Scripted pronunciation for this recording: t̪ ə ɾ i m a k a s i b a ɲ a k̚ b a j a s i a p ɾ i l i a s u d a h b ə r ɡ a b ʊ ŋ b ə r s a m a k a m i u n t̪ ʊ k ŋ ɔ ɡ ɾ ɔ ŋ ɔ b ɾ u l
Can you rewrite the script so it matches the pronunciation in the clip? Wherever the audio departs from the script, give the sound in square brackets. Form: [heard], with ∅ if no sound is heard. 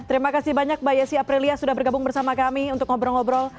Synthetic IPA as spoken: t̪ ə ɾ i m a k a s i b a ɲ a k̚ b a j a s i a p ɾ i l i a s u d a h b ə r ɡ a b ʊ ŋ b ə r s a m a k a m i u n t̪ ʊ k ŋ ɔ [b] ɾ ɔ ŋ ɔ b ɾ [ɔ] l

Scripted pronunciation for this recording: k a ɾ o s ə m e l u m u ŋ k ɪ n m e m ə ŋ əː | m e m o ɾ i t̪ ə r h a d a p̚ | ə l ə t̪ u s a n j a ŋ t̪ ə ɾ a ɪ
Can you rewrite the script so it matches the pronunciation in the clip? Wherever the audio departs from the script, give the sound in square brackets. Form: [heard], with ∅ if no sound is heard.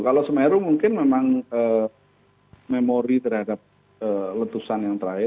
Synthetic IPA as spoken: k a [l] o s ə m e [ɾ] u m u ŋ k ɪ n m e m [a] ŋ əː | m e m o ɾ i t̪ ə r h a d a p̚ | ə l ə t̪ u s a n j a ŋ t̪ ə ɾ a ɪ

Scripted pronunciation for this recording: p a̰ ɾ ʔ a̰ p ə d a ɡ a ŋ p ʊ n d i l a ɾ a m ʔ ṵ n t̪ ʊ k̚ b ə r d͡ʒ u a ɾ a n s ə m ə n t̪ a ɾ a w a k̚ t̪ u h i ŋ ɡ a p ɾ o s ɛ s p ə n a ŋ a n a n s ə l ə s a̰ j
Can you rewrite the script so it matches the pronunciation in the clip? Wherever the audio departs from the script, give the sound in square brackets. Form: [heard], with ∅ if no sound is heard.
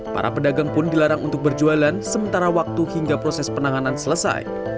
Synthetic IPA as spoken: p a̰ ɾ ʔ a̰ p ə d a ɡ a ŋ p ʊ n d i l a ɾ a [ŋ] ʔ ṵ n t̪ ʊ k̚ b ə r d͡ʒ u a [l] a n s ə m ə n t̪ a ɾ a w a k̚ t̪ u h i ŋ ɡ a p ɾ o s ɛ s p ə n a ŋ a n a n s ə l ə s a̰ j

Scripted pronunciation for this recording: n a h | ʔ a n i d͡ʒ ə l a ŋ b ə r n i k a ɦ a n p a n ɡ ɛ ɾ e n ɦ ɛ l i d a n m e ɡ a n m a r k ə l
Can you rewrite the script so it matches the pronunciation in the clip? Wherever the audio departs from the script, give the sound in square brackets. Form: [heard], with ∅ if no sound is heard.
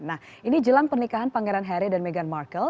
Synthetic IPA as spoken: n a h | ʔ [i] n i d͡ʒ ə l a ŋ [p] ə r n i k a ɦ a n p a [ŋ] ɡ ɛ ɾ [a] n ɦ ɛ [ɾ] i d a n m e ɡ a n m a r k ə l

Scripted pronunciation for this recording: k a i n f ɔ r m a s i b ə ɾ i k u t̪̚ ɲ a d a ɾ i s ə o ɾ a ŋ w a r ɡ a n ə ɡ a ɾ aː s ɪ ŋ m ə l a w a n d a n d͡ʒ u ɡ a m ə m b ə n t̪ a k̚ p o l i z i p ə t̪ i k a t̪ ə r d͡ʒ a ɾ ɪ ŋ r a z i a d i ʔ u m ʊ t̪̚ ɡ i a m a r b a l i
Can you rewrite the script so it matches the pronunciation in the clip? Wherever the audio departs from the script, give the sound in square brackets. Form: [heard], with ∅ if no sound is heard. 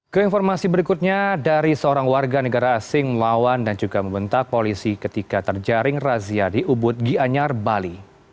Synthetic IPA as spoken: k [ə] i n f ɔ r m a s i b ə ɾ i k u t̪̚ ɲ a d a ɾ i s ə o ɾ a ŋ w a r ɡ a n ə ɡ a ɾ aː s ɪ ŋ m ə l a w a n d a n d͡ʒ u ɡ a m ə m b ə n t̪ a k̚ p o l i [s] i [k] ə t̪ i k a t̪ ə r d͡ʒ a ɾ ɪ ŋ r a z i a d i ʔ u [b] ʊ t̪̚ ɡ i a [ɲ] a r b a l i

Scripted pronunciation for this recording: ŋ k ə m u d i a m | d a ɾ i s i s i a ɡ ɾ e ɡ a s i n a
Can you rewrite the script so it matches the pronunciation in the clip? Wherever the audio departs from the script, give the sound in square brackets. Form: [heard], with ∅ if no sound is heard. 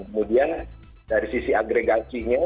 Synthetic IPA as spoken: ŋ k ə m u d i a [n] | d a ɾ i s i s i a ɡ ɾ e ɡ a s i [ɲ] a

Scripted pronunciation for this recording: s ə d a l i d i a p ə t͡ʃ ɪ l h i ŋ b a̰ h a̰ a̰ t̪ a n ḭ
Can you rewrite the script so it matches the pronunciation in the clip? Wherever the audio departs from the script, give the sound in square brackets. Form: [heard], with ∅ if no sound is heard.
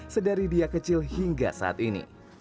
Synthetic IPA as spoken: s ə d a [ɾ] i d i a [k] ə t͡ʃ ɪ l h i ŋ [ɡ] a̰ [s] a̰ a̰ t̪ [i] n ḭ

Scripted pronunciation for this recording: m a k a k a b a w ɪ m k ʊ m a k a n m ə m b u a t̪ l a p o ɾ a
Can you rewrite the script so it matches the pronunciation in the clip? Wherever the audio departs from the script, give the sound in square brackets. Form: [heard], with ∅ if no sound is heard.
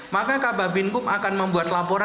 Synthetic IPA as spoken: m a k a k a b a [b] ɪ [n] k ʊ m a k a n m ə m b u a t̪ l a p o ɾ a

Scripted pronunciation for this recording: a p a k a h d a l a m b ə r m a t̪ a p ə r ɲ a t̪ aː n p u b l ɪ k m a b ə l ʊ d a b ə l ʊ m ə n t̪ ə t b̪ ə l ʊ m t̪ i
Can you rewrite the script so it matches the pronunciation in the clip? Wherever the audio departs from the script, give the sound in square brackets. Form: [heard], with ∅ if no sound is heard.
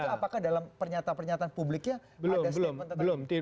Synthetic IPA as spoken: a p a k a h d a l a m [p] ə r [ɲ] a t̪ a p ə r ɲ a t̪ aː n p u b l ɪ k [ɲ] a b ə l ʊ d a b ə l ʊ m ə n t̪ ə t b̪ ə l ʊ m t̪ i

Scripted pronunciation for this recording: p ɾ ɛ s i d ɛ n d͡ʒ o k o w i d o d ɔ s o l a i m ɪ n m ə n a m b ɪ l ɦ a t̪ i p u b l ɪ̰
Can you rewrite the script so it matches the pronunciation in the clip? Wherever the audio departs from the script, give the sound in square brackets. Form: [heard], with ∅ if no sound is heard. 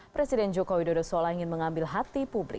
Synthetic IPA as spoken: p ɾ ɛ s i d ɛ n d͡ʒ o k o w i d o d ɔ s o l a i [ŋ] ɪ n m ə [ŋ] a m b ɪ l ɦ a t̪ i p u b l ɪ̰

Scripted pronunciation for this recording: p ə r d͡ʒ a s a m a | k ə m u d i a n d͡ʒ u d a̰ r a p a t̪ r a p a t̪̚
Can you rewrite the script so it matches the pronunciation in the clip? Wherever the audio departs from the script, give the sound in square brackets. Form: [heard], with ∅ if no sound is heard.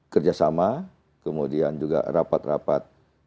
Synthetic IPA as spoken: [k] ə r d͡ʒ a s a m a | k ə m u d i a n d͡ʒ u [ɡ] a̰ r a p a t̪ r a p a t̪̚

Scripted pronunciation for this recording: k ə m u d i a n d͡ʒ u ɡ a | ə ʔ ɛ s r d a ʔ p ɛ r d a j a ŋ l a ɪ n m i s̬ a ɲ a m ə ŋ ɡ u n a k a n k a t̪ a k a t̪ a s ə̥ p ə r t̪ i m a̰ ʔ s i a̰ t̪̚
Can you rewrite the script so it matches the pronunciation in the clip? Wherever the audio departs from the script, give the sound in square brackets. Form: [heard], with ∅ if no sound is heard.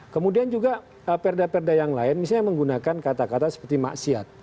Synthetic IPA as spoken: k ə m u d i a n d͡ʒ u ɡ a | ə [p] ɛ [∅] r d a [∅] p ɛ r d a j a ŋ l a ɪ n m i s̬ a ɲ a m ə ŋ ɡ u n a k a n k a t̪ a k a t̪ a s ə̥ p ə r t̪ i m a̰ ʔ s i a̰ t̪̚

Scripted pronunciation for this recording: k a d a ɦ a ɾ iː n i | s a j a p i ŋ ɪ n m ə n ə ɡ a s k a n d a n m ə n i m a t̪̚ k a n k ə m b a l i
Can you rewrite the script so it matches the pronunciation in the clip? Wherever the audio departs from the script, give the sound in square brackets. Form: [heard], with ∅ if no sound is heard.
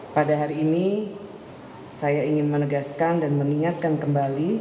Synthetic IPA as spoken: [p] a d a ɦ a ɾ iː n i | s a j a [∅] i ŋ ɪ n m ə n ə ɡ a s k a n d a n m ə n i [ŋ] a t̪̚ k a n k ə m b a l i

